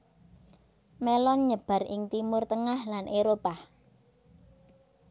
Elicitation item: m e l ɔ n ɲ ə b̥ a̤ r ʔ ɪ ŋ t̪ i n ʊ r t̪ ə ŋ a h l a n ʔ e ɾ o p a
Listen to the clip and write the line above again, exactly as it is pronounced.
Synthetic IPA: m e l ɔ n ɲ ə b̥ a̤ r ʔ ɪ ŋ t̪ i m ʊ r t̪ ə ŋ a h l a n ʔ e ɾ o p a